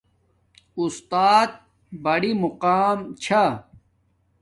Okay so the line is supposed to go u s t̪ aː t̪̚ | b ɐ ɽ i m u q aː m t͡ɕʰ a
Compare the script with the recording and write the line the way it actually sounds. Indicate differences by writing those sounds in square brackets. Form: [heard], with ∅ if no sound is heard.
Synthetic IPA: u s t̪ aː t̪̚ | b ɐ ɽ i m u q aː m t͡ɕʰ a